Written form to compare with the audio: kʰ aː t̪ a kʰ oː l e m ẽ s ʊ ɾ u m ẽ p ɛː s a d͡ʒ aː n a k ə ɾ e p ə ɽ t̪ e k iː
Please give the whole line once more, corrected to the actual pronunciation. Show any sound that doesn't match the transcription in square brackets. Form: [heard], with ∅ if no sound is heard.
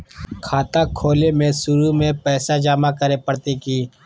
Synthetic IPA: kʰ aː t̪ a kʰ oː l e m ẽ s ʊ ɾ u m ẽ p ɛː s a d͡ʒ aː [m] a k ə ɾ e p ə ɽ t̪ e k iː

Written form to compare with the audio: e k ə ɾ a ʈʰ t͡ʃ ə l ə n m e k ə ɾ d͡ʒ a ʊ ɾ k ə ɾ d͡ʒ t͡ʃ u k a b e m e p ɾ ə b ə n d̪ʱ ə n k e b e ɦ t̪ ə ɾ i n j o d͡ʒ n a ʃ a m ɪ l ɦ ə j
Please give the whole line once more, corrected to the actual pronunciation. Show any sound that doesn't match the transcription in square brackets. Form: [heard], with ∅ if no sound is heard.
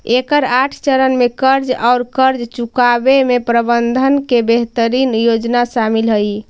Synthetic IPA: e k ə ɾ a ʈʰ t͡ʃ ə [ɾ] ə n m e k ə ɾ d͡ʒ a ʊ ɾ k ə ɾ d͡ʒ t͡ʃ u k a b e m e p ɾ ə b ə n d̪ʱ ə n k e b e ɦ t̪ ə ɾ i n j o d͡ʒ n a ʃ a m [i] l ɦ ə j

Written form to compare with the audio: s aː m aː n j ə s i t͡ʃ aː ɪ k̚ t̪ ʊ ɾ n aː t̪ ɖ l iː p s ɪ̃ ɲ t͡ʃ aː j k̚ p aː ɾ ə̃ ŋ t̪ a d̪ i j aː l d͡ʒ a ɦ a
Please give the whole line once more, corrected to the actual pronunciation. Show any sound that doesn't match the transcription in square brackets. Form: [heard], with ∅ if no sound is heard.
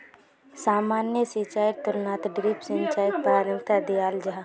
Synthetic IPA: s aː m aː n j ə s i t͡ʃ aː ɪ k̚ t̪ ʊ ɾ n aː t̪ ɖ [ɾ] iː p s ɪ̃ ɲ t͡ʃ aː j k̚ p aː ɾ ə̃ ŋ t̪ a d̪ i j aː l d͡ʒ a ɦ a

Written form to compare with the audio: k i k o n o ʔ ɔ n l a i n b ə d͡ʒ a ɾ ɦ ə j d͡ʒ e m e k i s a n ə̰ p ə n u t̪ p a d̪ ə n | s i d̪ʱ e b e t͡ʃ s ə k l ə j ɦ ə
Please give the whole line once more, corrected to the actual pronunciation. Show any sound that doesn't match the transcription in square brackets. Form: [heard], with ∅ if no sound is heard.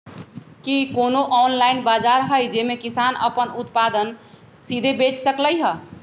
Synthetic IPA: k i k o n o ʔ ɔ n l a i n b [a] d͡ʒ a ɾ ɦ ə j d͡ʒ e m e k i s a n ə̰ p ə n u t̪ p a d̪ ə n | s i d̪ʱ e b e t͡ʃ s ə k l ə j ɦ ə

